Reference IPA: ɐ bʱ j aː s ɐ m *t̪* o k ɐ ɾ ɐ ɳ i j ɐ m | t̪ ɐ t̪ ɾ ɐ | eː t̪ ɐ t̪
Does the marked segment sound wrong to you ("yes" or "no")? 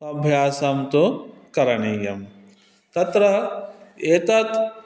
no